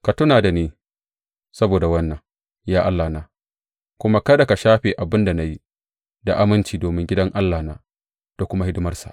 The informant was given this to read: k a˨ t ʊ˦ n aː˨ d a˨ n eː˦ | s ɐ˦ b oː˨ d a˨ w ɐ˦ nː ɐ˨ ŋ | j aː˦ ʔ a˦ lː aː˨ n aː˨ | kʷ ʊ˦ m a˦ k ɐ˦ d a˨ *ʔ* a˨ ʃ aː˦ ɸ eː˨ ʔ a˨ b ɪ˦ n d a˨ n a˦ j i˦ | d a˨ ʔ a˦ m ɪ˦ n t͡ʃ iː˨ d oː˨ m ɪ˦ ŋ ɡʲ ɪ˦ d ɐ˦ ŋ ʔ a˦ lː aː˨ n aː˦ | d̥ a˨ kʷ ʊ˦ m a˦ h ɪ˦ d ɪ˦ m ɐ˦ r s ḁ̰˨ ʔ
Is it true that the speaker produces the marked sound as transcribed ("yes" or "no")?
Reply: no